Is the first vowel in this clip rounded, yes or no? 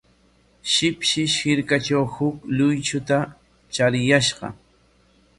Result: no